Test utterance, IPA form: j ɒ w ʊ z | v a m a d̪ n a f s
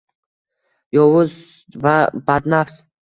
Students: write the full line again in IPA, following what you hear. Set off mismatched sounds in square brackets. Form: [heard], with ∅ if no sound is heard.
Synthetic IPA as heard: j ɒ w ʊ z | v a [b] a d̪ n a f s